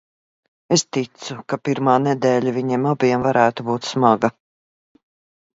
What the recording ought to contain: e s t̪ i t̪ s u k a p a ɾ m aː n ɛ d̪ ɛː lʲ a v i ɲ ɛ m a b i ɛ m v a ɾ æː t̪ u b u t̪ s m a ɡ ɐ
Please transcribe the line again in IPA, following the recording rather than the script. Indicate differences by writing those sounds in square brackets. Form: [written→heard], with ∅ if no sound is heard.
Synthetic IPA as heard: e s t̪ i t̪ s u k a p [a→i] ɾ m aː n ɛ d̪ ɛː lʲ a v i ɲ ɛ m a b i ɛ m v a ɾ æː t̪ u b [u→uː] t̪ s m a ɡ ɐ